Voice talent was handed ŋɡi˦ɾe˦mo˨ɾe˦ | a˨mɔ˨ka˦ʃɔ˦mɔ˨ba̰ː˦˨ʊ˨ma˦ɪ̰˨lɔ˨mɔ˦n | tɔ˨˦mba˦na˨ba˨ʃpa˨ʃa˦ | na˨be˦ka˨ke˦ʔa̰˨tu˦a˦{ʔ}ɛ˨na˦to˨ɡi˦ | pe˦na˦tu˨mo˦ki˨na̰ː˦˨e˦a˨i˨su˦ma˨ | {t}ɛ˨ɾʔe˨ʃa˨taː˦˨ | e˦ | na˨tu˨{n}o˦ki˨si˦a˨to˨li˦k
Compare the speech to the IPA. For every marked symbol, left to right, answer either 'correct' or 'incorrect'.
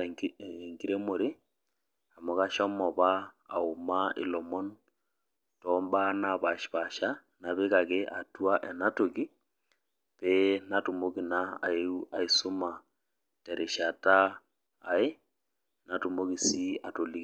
correct, correct, incorrect

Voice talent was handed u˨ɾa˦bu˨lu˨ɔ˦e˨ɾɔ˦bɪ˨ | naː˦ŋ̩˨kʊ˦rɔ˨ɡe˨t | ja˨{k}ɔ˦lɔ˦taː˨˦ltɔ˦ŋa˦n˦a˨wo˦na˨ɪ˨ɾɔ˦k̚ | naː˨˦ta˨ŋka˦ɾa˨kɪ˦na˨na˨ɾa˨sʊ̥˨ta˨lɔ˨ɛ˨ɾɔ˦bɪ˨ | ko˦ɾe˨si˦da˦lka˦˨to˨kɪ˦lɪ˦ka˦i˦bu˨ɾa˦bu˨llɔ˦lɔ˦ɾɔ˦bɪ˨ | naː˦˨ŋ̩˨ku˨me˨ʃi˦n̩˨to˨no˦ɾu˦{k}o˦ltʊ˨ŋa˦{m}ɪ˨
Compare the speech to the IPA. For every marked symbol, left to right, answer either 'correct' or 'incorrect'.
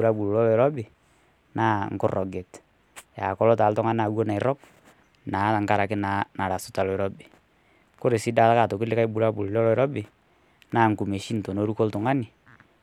correct, correct, incorrect

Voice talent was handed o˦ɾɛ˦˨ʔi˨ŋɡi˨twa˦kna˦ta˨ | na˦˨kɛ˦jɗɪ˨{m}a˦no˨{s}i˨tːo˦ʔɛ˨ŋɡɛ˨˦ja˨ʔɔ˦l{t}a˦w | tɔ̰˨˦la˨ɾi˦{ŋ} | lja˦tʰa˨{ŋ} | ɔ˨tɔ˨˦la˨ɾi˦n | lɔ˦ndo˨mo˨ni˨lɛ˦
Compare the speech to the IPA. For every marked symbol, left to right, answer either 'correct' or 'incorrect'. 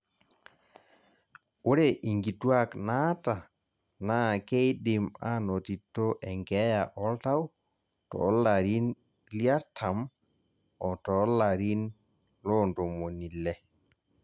correct, incorrect, correct, incorrect, incorrect

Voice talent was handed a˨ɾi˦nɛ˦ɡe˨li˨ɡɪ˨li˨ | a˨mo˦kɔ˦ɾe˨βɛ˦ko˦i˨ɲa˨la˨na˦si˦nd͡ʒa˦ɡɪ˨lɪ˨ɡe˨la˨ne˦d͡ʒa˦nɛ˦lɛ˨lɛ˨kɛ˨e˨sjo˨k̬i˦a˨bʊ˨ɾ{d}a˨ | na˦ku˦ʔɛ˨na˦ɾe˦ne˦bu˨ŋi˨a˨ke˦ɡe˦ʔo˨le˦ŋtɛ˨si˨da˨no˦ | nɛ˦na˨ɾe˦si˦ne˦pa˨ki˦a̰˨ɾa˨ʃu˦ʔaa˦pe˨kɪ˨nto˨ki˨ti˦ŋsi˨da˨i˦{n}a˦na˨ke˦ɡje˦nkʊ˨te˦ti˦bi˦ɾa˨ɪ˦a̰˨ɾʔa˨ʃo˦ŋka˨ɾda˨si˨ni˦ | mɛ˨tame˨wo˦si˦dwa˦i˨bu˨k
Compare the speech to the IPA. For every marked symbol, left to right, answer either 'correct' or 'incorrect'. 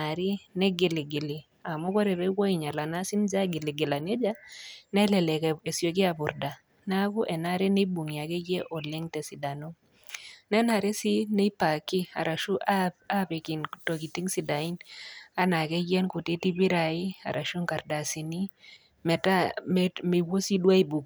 correct, correct

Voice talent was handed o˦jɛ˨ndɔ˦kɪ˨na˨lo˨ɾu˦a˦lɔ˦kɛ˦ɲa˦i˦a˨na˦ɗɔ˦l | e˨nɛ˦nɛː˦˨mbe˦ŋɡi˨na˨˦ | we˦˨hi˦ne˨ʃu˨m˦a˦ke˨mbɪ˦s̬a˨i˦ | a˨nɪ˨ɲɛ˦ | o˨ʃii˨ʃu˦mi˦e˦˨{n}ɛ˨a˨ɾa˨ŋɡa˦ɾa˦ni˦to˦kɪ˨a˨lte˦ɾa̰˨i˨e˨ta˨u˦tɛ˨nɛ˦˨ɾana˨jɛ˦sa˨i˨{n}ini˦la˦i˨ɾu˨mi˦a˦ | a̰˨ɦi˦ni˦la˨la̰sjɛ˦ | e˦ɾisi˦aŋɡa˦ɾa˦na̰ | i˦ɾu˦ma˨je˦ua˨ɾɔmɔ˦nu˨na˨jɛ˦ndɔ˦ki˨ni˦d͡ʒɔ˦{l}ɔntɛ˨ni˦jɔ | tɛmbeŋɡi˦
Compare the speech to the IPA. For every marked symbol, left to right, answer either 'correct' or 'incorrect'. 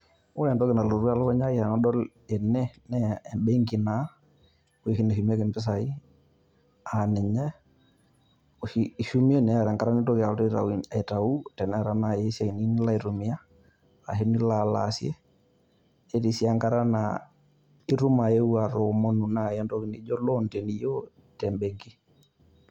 correct, correct, correct

